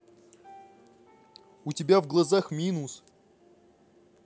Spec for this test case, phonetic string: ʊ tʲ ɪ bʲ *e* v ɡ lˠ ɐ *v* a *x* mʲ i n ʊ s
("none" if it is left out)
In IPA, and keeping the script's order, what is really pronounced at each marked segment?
a, z, x

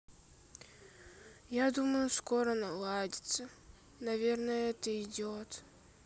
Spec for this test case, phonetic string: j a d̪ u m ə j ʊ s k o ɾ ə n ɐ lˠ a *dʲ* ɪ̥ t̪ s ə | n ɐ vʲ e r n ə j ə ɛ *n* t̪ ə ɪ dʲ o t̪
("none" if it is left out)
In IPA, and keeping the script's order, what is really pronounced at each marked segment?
dʲ, none

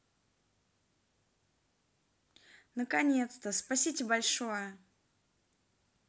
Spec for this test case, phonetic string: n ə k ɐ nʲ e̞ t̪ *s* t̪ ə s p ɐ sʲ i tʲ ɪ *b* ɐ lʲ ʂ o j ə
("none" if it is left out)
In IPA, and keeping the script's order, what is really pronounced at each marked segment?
s, b

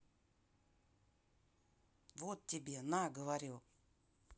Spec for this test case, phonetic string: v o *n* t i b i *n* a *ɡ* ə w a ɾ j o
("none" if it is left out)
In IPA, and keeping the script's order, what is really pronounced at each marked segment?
none, n, ɡ

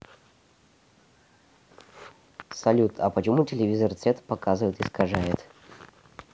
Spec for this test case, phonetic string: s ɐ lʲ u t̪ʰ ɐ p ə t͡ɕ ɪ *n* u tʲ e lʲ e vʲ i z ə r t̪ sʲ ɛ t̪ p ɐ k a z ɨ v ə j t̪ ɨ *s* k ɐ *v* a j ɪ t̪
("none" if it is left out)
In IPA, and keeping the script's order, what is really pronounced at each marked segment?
m, s, ʐ

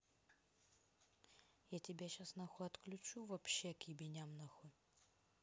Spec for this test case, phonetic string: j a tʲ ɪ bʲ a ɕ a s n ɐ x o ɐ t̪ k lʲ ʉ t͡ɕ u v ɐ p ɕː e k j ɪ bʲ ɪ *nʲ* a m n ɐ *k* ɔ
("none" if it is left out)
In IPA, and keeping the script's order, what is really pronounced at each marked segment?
nʲ, x

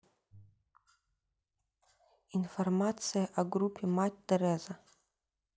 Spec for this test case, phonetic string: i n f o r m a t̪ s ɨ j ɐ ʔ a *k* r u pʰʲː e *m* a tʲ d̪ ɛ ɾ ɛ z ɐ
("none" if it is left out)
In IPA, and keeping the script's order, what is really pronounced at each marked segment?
ɡ, m

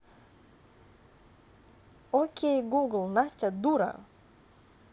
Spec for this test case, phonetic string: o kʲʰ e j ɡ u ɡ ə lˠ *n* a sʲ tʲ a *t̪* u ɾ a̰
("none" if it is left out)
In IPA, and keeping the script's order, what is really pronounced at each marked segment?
n, d̪

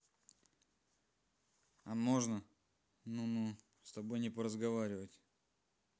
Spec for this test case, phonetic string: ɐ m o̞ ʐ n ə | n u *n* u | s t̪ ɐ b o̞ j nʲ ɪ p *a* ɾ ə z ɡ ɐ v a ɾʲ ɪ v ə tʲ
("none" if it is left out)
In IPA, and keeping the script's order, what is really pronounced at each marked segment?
n, ə

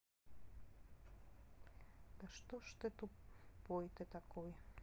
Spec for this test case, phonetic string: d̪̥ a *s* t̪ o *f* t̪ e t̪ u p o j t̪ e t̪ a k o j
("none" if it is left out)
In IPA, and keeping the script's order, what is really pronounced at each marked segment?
ʃ, ʃ

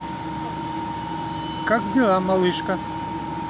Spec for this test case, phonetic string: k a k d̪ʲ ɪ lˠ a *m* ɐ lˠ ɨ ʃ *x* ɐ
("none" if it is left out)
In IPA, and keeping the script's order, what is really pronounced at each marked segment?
m, k

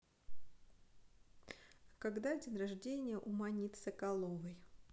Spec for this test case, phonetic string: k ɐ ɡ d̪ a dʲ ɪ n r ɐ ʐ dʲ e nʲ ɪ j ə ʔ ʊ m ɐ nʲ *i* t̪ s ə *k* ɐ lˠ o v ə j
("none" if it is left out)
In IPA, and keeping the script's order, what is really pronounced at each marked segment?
i, k

